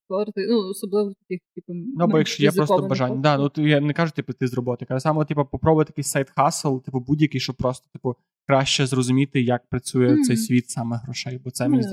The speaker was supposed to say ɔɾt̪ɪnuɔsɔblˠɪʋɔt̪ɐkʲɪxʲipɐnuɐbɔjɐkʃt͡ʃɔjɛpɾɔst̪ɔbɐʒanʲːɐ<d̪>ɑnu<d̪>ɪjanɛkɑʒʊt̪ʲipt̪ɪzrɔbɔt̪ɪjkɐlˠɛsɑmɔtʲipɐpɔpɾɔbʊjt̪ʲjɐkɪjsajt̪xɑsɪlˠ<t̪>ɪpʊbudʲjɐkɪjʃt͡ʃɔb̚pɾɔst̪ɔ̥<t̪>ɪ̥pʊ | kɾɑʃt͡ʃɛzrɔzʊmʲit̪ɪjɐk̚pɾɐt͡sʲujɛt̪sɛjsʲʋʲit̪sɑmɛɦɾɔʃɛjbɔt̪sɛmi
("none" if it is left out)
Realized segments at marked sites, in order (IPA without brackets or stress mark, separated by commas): d̪, t̪, t̪, t̪